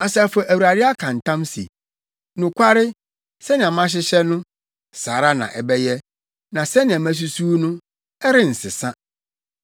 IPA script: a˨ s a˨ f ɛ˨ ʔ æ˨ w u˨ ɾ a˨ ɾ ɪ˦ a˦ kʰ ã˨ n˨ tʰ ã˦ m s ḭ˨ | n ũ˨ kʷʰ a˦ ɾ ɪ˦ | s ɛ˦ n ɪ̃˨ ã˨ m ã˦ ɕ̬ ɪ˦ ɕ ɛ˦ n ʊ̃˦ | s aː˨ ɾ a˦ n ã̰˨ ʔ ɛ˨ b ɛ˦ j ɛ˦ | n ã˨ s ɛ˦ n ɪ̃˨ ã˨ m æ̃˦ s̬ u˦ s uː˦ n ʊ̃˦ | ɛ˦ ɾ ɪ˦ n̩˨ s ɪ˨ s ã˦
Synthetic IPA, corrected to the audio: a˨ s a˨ f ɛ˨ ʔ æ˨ w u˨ ɾ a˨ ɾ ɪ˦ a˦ kʰ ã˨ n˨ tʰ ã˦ m s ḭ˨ | n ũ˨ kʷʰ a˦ ɾ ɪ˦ | s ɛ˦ n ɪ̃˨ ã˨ m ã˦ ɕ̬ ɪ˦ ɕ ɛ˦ n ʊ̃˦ | s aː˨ ɾ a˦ n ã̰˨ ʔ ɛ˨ b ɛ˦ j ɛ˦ | n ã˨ s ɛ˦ n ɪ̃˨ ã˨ m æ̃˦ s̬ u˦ s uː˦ n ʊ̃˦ | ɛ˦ ɾ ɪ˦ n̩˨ s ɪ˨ s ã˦